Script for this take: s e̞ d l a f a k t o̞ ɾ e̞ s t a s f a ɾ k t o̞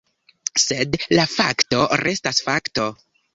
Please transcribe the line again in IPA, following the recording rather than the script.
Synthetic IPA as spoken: s e̞ d l a f a k t o̞ ɾ e̞ s t a s f a k t o̞